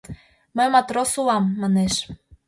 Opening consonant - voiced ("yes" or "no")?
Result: yes